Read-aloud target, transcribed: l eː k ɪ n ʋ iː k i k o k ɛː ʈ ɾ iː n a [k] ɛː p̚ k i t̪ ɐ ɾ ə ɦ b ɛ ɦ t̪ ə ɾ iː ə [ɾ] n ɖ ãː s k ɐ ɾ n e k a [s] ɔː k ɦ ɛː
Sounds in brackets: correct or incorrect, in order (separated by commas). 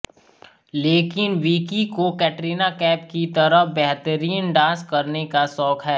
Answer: correct, incorrect, correct